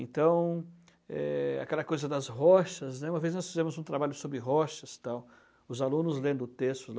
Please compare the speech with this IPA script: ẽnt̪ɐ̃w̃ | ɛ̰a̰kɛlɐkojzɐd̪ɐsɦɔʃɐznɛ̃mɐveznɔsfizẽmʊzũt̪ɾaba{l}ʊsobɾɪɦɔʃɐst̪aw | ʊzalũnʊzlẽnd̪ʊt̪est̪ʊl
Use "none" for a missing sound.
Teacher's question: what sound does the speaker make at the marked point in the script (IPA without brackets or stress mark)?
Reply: ʎ